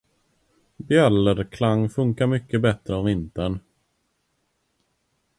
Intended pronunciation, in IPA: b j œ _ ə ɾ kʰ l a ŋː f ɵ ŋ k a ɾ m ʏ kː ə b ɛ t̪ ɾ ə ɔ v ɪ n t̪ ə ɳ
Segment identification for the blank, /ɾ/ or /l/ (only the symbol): l